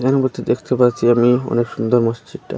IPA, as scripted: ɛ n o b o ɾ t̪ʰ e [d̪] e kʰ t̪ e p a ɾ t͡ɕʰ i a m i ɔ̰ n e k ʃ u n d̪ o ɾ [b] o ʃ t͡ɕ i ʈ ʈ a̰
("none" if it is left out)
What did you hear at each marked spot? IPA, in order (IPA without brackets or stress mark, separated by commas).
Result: d̪, m